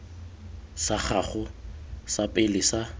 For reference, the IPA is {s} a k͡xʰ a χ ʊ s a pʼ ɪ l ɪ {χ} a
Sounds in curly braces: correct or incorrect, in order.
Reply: correct, incorrect

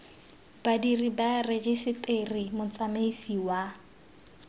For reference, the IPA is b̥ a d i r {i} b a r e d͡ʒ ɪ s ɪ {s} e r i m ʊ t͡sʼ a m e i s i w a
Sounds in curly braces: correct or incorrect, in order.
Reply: correct, incorrect

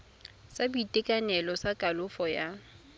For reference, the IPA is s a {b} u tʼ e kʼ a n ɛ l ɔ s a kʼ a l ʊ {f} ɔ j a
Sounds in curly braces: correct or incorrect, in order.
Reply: correct, correct

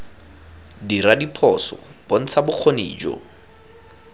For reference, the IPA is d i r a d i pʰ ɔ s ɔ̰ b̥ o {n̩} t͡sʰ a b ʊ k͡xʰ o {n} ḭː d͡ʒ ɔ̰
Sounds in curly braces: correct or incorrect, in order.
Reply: correct, correct

